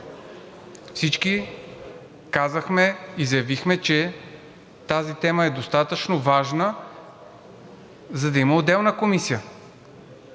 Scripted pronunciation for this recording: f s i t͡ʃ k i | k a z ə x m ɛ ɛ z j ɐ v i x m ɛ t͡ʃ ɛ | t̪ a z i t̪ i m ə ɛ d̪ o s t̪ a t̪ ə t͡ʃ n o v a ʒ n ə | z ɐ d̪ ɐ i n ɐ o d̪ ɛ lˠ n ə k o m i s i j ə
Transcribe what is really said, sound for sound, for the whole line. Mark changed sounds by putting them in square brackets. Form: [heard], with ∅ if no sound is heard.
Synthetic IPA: f s i t͡ʃ k i | k a z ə x m ɛ [i] z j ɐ v i x m ɛ t͡ʃ ɛ | t̪ a z i t̪ [ɛ] m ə ɛ d̪ o s t̪ a t̪ ə t͡ʃ n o v a ʒ n ə | z ɐ d̪ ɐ i [m] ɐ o d̪ ɛ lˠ n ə k o m i s i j ə

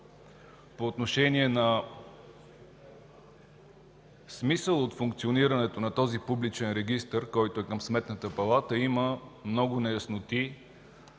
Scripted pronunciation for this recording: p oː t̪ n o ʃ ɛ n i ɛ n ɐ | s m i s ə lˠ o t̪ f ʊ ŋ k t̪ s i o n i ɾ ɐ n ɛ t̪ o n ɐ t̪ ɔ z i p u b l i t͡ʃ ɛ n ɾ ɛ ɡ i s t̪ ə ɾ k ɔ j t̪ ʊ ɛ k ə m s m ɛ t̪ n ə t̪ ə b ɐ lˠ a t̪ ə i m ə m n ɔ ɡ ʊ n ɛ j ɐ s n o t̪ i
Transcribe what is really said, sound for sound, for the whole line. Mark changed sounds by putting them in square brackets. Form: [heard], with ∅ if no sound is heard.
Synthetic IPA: p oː t̪ n o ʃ ɛ n i ɛ n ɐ | s m i s ə lˠ o t̪ f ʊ ŋ k t̪ s i o n i ɾ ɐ n ɛ t̪ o n ɐ t̪ ɔ z i p u b l i t͡ʃ ɛ n ɾ ɛ ɡ i s t̪ ə ɾ k ɔ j t̪ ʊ ɛ k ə m s m ɛ t̪ n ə t̪ ə [p] ɐ lˠ a t̪ ə i m ə m n ɔ ɡ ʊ n ɛ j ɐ s n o t̪ i

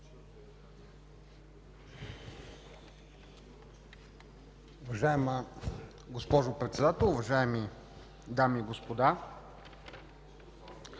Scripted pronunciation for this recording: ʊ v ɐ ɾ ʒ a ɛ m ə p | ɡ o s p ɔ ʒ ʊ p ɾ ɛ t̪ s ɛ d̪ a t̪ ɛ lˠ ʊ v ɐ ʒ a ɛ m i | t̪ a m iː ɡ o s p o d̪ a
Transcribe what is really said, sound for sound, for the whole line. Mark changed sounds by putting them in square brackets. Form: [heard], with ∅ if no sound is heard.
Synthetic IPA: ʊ v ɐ [∅] ʒ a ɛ m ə [∅] | ɡ o s p ɔ ʒ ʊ p ɾ ɛ t̪ s ɛ d̪ a t̪ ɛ lˠ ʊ v ɐ ʒ a ɛ m i | [d̪] a m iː ɡ o s p o d̪ a

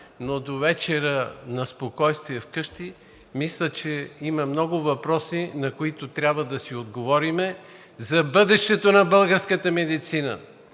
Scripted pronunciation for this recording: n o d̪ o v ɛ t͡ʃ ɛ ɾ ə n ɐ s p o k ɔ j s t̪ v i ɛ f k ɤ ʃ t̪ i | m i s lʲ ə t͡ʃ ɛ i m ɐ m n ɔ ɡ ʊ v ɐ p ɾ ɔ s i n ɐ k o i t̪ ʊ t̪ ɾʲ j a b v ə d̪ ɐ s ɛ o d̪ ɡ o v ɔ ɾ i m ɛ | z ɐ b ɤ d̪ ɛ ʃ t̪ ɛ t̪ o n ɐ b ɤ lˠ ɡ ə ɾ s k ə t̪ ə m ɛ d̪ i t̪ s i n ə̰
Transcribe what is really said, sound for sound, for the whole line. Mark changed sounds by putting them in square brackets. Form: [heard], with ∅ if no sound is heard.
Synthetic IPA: n o d̪ o v ɛ t͡ʃ ɛ ɾ ə n ɐ s p o k ɔ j s t̪ v i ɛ f k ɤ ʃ t̪ i | m i s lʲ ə t͡ʃ ɛ i m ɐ m n ɔ ɡ ʊ v ɐ p ɾ ɔ s i n ɐ k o i t̪ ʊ t̪ ɾʲ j a b v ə d̪ ɐ s [i] o d̪ ɡ o v ɔ ɾ i m ɛ | z ɐ b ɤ d̪ ɛ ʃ t̪ ɛ t̪ o n ɐ b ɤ lˠ ɡ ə ɾ s k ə t̪ ə m ɛ d̪ i t̪ s i n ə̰

